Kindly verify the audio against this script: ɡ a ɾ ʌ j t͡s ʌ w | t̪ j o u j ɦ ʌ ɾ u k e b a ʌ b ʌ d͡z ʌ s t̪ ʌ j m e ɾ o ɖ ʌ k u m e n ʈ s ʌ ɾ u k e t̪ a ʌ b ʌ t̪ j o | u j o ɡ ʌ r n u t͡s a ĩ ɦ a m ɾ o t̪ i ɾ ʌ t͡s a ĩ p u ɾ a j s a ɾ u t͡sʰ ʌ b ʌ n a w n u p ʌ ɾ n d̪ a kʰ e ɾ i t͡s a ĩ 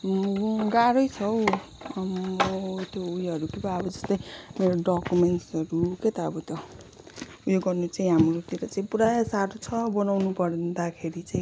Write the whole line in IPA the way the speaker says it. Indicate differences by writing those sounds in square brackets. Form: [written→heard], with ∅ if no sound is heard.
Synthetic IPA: ɡ a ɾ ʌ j [t͡s→t͡sʰ] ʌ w | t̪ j o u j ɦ ʌ ɾ u k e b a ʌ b ʌ d͡z ʌ s t̪ ʌ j m e ɾ o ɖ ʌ k u m e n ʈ s ʌ ɾ u k e t̪ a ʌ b ʌ t̪ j o | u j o ɡ ʌ r n u t͡s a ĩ ɦ a m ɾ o t̪ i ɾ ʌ t͡s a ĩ p u ɾ a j s a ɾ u t͡sʰ ʌ b ʌ n a w n u p ʌ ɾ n d̪ a kʰ e ɾ i t͡s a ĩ